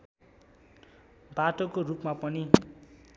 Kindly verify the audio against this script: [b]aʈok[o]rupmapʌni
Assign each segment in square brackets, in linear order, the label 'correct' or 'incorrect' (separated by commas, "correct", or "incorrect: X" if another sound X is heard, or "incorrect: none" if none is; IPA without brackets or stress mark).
correct, correct